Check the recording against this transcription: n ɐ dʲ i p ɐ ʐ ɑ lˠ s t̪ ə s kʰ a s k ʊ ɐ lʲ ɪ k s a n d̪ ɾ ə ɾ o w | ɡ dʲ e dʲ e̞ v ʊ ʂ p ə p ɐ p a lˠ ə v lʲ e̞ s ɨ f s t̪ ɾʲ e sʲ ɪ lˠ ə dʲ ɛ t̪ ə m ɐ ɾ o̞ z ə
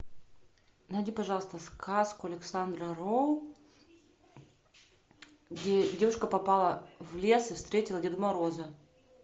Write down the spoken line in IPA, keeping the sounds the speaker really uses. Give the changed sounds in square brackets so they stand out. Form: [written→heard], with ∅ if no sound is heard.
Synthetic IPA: n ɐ dʲ i p ɐ ʐ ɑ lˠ s t̪ ə s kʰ a s k ʊ ɐ lʲ ɪ k s a n d̪ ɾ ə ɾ o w | ɡ dʲ e dʲ e̞ v ʊ ʂ [p→k] ə p ɐ p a lˠ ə v lʲ e̞ s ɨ f s t̪ ɾʲ e [sʲ→tʲ] ɪ lˠ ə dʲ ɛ [t̪→d̪] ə m ɐ ɾ o̞ z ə